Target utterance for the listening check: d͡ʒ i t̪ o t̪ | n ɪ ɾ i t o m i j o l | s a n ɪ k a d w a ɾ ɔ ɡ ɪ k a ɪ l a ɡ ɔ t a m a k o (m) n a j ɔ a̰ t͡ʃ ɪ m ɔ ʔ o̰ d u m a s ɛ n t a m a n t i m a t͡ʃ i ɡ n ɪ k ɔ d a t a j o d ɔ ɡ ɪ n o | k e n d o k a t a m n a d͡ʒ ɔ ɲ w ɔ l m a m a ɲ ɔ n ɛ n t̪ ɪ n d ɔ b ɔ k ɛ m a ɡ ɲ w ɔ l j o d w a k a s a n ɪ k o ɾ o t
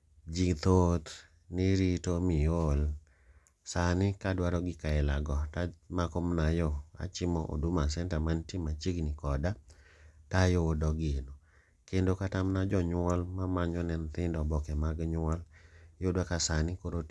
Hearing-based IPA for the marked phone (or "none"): m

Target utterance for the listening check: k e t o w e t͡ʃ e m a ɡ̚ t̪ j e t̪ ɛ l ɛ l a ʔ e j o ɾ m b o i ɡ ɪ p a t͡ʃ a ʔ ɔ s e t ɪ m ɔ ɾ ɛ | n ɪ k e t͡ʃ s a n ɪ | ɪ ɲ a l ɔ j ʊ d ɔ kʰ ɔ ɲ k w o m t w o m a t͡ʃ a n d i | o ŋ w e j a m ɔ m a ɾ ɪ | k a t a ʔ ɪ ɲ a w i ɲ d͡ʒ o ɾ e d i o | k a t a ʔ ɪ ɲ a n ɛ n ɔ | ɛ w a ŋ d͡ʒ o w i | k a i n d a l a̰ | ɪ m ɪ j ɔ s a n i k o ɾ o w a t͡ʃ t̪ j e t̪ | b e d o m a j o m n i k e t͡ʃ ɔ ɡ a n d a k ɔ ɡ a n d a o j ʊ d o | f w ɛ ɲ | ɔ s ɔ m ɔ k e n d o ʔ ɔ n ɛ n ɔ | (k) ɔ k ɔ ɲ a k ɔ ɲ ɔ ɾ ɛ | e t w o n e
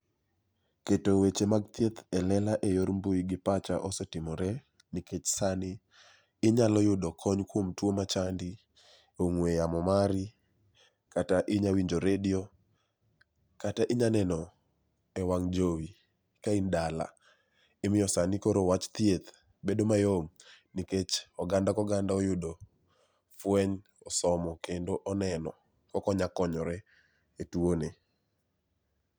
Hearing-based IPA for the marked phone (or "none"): k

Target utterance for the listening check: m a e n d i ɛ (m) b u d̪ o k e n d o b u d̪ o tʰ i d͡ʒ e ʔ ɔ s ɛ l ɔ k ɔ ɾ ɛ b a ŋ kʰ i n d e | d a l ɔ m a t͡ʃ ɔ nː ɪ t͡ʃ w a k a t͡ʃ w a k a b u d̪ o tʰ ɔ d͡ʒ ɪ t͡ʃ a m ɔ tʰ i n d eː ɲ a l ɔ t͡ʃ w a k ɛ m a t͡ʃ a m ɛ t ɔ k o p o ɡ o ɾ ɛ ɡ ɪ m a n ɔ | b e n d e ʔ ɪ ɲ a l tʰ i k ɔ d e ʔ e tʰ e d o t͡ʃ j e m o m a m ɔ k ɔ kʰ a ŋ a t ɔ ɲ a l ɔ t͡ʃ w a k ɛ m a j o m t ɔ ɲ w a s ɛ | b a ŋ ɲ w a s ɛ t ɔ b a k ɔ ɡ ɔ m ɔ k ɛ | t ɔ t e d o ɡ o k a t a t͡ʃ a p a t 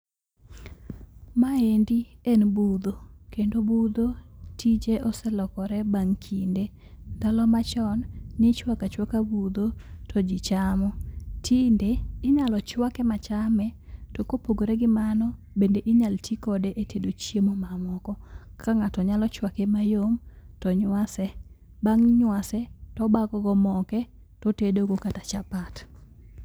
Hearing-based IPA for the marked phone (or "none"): n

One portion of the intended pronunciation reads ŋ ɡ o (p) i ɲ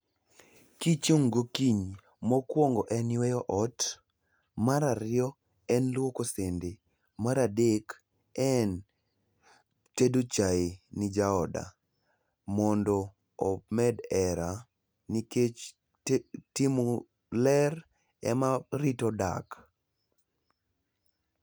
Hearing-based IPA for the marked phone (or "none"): k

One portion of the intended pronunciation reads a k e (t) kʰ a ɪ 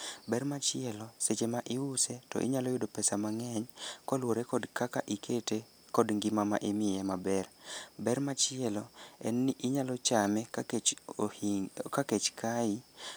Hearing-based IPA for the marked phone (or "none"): t͡ʃ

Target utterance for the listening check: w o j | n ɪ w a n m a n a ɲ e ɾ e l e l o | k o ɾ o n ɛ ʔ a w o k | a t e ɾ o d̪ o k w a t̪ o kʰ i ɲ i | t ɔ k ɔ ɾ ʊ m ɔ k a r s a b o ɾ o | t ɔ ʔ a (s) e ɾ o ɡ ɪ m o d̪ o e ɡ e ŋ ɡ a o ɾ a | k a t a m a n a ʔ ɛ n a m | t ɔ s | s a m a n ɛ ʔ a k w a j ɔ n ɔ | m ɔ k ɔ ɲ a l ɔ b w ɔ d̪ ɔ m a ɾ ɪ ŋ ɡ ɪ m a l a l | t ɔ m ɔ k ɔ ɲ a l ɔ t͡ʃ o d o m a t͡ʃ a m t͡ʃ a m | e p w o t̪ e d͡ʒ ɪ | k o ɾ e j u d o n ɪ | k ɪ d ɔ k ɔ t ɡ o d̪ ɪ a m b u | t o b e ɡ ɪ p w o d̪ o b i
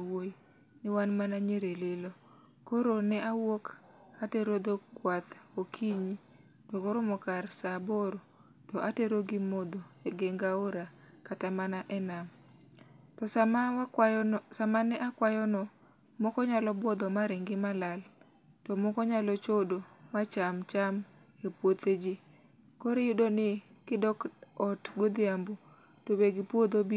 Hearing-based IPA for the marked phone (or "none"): t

